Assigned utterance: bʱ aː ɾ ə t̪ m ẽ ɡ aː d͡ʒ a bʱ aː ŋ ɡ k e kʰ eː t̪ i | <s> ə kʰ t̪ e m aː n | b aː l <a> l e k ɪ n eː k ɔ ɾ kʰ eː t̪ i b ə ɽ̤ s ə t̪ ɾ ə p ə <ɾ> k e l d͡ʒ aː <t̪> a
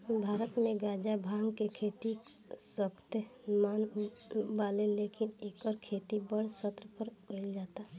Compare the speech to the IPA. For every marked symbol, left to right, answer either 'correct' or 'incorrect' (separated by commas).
correct, incorrect, correct, correct